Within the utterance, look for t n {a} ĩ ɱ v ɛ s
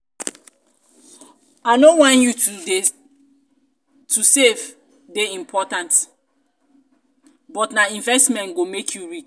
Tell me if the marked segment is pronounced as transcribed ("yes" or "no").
yes